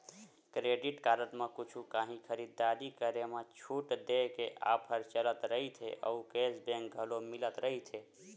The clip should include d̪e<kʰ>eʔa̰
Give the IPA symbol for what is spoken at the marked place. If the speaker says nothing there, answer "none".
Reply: k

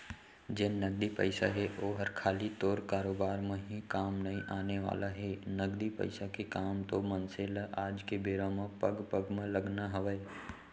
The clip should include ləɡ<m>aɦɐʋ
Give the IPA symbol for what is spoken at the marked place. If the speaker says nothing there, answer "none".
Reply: n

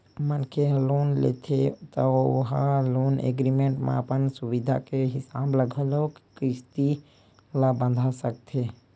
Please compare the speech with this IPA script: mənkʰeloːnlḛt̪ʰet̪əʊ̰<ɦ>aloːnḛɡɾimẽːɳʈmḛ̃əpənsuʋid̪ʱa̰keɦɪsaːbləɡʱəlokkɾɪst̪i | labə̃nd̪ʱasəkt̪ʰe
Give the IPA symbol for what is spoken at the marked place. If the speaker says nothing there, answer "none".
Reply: ɦ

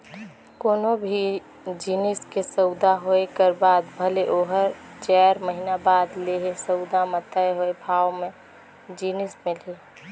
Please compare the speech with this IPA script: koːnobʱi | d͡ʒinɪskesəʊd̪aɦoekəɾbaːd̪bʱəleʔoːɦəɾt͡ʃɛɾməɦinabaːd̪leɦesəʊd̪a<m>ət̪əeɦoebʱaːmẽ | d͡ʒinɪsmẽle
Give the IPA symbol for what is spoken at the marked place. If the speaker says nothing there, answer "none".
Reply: m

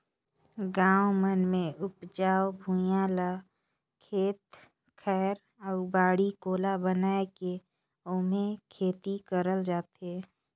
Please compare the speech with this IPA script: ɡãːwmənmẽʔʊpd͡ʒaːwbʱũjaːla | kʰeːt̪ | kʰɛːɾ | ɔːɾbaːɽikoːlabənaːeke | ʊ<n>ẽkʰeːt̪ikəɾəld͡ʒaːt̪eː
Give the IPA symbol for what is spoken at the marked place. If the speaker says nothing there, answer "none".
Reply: m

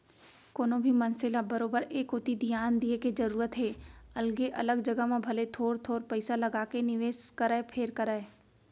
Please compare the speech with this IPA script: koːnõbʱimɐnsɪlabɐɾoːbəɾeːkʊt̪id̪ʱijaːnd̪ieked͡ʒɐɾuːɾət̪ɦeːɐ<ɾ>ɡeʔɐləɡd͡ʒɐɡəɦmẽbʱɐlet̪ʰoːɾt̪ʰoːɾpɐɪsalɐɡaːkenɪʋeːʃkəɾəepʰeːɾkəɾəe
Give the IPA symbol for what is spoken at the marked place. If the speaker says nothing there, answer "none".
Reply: l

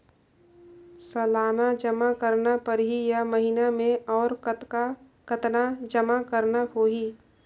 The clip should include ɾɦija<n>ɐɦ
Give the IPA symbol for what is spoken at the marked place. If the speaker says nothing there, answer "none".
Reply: m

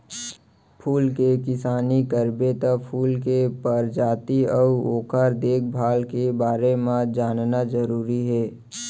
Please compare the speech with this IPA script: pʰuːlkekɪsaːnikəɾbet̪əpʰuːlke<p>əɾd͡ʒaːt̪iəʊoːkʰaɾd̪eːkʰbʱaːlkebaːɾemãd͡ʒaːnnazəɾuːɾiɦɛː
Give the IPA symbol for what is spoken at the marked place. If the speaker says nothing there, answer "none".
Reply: p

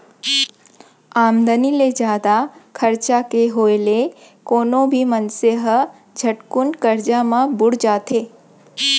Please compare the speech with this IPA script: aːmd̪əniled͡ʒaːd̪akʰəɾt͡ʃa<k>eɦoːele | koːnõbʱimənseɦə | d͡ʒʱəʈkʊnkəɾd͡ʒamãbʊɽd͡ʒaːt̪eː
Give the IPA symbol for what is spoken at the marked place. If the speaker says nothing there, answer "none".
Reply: k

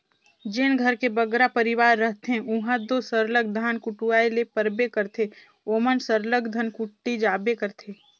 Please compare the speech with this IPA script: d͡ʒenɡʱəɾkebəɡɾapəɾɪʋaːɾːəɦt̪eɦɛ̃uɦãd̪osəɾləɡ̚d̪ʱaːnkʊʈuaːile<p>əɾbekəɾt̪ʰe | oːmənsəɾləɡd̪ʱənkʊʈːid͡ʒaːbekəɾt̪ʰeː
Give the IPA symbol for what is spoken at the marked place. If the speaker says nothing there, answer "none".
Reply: p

